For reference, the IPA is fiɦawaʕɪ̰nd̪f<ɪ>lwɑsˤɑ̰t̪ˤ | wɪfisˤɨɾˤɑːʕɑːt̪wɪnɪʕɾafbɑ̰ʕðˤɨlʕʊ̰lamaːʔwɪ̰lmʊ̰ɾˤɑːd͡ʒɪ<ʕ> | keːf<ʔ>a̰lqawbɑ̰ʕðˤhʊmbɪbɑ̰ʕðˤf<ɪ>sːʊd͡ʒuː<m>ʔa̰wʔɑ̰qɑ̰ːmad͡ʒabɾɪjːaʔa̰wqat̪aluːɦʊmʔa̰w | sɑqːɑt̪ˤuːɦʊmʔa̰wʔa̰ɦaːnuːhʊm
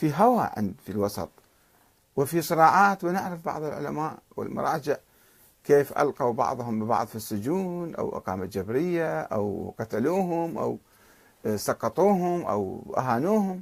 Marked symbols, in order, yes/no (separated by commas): no, yes, yes, no, no